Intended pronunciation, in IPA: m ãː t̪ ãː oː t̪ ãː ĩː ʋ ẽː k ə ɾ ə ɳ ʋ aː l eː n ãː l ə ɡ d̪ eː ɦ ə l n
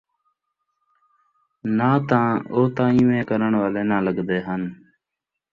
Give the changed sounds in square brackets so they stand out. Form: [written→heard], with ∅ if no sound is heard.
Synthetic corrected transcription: [m→n] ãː t̪ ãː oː t̪ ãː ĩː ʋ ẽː k ə ɾ ə ɳ ʋ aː l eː n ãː l ə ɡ d̪ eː ɦ ə [l→∅] n